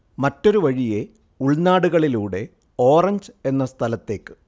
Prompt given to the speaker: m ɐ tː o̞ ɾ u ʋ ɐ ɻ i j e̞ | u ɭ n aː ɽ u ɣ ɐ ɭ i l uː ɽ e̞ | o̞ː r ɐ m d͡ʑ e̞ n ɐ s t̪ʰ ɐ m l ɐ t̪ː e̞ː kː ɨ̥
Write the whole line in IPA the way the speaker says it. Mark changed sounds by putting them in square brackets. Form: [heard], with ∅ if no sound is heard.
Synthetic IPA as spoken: m ɐ tː o̞ ɾ u ʋ ɐ ɻ i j e̞ | u ɭ n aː ɽ u ɣ ɐ ɭ i l uː ɽ e̞ | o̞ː r ɐ [ɲ] d͡ʑ e̞ [nː] ɐ s t̪ʰ ɐ [∅] l ɐ t̪ː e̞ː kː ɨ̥